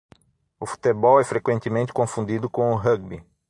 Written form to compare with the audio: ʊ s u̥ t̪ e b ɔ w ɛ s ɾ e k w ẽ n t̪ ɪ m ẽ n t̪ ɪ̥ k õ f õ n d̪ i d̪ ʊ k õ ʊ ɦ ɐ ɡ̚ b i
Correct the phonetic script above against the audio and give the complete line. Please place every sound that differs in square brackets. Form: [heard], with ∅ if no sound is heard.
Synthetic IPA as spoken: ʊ [f] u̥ t̪ e b ɔ w ɛ [f] ɾ e k w ẽ n t̪ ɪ m ẽ n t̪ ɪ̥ k õ f [ũ] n d̪ i d̪ ʊ k õ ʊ ɦ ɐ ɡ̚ b i